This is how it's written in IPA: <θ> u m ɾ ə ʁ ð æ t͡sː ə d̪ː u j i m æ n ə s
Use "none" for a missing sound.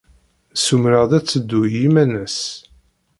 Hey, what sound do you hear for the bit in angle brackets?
s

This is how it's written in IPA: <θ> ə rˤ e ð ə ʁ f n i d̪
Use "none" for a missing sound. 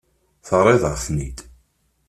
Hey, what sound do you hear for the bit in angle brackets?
θ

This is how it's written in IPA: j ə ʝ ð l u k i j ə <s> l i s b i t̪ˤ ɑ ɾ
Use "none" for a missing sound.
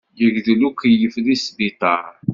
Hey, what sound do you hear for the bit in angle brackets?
f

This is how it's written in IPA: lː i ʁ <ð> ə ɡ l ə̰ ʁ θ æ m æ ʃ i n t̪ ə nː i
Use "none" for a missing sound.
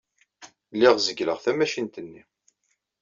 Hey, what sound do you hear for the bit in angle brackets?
z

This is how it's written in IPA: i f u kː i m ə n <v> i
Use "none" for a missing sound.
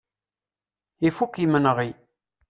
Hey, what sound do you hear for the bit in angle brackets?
ʁ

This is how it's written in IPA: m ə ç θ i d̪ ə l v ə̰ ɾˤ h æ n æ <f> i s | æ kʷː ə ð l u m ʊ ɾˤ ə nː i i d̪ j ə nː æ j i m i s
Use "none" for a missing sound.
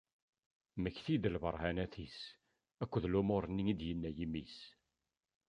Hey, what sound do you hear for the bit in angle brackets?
θ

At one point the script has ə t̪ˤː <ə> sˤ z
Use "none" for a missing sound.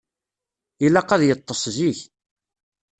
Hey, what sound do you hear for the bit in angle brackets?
ə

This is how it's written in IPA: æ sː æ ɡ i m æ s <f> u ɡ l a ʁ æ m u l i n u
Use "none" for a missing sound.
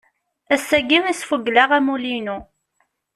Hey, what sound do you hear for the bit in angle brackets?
f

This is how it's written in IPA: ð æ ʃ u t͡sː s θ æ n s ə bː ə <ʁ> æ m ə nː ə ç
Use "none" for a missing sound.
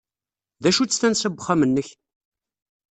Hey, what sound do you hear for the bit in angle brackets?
χ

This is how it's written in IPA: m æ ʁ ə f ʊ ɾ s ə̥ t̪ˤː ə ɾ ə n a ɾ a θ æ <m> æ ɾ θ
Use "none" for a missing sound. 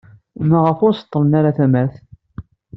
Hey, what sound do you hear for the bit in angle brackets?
m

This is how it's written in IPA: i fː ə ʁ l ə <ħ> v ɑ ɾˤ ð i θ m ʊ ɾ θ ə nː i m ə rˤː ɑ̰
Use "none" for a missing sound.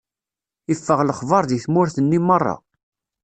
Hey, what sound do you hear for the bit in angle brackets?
χ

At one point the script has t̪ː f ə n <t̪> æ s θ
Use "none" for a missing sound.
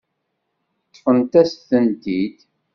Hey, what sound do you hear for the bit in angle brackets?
t̪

